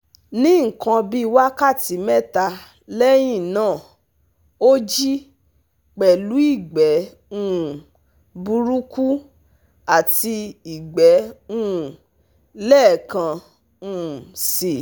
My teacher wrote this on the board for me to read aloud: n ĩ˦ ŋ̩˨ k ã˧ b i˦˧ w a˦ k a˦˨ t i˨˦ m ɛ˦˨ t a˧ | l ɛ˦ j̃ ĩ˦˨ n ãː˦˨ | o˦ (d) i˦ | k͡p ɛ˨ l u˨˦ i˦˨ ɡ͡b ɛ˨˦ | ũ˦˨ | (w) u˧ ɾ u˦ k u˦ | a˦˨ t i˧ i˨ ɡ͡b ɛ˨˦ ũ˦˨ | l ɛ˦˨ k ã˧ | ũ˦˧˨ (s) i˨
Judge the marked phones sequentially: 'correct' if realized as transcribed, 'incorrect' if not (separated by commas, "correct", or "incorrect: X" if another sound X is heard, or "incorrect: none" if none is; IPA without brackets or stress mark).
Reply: incorrect: d͡ʒ, incorrect: b, correct